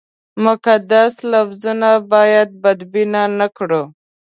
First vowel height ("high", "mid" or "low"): high